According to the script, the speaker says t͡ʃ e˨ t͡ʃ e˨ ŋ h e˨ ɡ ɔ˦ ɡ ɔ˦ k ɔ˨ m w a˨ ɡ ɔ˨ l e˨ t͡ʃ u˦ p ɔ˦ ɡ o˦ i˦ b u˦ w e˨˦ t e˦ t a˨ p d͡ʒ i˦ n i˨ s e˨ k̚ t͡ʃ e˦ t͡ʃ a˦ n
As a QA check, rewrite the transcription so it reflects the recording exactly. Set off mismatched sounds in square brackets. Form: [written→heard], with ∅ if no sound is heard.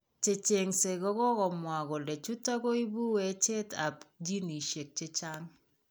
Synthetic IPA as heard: t͡ʃ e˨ t͡ʃ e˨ ŋ [h→s] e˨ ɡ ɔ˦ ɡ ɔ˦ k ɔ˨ m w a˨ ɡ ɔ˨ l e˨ t͡ʃ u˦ [p→t] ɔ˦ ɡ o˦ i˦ b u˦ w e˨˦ [t→t͡ʃ] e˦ t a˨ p d͡ʒ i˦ n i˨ [s→ʃ] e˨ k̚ t͡ʃ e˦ t͡ʃ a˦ [n→ŋ]